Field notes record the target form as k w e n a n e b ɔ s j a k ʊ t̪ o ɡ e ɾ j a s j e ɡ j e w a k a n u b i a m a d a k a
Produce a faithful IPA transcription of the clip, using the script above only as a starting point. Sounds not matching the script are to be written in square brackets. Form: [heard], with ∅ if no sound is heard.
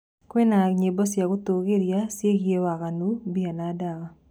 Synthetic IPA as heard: k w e n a [ɲ] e b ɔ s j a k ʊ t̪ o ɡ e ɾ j a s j e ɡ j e w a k a n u b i a [n] a d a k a